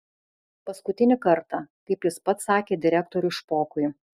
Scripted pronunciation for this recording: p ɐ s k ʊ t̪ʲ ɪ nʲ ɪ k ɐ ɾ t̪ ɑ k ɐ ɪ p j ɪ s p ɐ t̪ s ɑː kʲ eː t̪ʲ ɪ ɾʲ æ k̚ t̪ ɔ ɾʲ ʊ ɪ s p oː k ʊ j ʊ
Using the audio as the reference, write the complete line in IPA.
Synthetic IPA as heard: p ɐ s k ʊ t̪ʲ ɪ nʲ ɪ k ɐ ɾ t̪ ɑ k ɐ ɪ p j ɪ s p ɐ t̪ s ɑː kʲ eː d̪ʲ ɪ ɾʲ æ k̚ t̪ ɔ ɾʲ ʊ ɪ ʃ p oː k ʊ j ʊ